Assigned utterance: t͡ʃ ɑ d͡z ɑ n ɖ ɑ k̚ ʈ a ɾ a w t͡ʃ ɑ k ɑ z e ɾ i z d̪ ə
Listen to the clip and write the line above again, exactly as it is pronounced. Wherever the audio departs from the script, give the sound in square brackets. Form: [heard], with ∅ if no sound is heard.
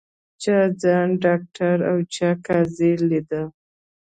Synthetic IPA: t͡ʃ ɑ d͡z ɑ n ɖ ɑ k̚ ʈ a ɾ a w t͡ʃ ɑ k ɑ z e [l] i [∅] d̪ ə